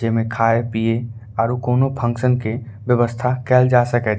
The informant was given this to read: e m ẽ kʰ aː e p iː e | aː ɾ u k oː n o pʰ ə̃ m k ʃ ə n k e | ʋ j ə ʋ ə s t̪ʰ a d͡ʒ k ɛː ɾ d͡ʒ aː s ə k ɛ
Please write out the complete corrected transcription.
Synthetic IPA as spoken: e m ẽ kʰ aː e p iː e | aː ɾ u k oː n o pʰ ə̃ ŋ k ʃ ə n k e | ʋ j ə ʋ ə s t̪ʰ a k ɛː l d͡ʒ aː s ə k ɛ